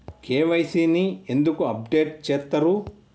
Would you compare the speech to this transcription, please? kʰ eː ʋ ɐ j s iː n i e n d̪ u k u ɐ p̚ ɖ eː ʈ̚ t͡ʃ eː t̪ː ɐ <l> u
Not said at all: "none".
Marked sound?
ɾ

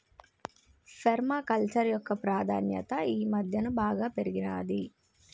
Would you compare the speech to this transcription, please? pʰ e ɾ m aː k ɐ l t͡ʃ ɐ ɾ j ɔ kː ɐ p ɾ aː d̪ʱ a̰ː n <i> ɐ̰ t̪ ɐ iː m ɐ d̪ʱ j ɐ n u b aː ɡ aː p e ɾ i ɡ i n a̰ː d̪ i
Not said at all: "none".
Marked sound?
j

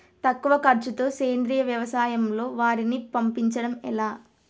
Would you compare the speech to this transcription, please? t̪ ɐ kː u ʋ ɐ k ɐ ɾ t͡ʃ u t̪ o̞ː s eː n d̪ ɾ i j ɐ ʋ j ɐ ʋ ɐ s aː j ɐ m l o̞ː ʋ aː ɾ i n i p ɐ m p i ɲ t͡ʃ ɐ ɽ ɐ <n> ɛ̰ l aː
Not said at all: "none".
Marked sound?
m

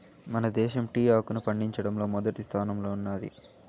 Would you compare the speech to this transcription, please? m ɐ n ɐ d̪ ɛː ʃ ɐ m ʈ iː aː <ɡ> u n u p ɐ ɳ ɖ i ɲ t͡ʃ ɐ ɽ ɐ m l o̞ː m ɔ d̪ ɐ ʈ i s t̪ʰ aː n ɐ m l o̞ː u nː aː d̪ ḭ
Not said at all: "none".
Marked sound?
k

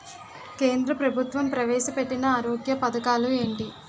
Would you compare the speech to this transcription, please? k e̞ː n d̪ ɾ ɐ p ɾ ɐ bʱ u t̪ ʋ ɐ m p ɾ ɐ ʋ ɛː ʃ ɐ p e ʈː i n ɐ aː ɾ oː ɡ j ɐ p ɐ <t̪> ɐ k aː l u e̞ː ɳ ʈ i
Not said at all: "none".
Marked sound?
d̪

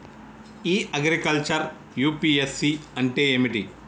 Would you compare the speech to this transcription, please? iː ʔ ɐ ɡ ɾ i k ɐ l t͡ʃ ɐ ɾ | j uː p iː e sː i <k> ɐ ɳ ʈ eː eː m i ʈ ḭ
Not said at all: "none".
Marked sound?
none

